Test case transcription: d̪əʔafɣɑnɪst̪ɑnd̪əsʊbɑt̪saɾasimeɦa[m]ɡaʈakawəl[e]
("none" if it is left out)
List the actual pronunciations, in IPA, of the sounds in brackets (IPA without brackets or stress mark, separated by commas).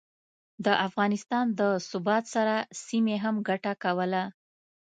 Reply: m, a